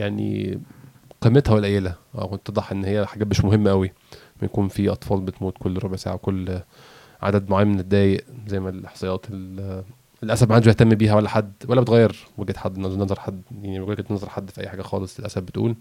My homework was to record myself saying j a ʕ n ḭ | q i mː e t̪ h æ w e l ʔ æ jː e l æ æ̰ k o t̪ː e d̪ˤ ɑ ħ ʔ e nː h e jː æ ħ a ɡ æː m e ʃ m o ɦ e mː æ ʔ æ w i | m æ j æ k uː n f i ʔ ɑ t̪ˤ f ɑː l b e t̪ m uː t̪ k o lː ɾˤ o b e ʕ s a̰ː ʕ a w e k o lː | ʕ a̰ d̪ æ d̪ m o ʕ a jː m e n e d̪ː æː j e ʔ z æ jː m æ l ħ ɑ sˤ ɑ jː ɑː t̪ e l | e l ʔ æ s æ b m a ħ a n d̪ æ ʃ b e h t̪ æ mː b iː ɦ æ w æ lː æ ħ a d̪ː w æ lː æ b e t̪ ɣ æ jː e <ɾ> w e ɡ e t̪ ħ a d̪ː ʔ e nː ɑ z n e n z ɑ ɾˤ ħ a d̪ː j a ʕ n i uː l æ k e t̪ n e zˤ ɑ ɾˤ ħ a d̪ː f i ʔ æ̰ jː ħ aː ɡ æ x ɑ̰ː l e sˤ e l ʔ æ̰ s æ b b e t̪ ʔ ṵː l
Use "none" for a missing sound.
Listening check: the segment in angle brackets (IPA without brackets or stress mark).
ɾ